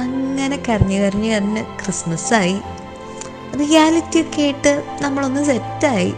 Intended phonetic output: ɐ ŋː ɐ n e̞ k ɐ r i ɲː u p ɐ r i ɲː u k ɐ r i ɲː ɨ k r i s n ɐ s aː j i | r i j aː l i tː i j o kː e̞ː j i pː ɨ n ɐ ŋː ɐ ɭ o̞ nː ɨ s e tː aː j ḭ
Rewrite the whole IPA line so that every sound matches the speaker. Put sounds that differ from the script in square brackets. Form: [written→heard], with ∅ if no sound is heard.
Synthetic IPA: ɐ ŋː ɐ n e̞ k ɐ r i ɲː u [p→k] ɐ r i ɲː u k ɐ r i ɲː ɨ k r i s [n→m] ɐ s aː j i | r i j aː l i tː i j o kː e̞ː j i [pː→ʈː] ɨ n ɐ [ŋː→mː] ɐ ɭ o̞ nː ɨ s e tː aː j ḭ